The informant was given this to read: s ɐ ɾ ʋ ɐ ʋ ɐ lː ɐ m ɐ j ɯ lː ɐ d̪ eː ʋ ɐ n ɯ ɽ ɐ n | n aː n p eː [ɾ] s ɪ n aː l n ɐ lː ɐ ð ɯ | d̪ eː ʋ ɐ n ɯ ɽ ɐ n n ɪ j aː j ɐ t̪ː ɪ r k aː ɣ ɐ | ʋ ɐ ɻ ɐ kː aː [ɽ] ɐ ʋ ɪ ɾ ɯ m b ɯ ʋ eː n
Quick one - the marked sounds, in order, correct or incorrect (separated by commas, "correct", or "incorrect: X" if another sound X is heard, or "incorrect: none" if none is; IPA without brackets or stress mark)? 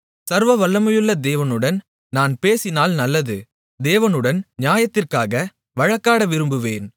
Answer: incorrect: none, correct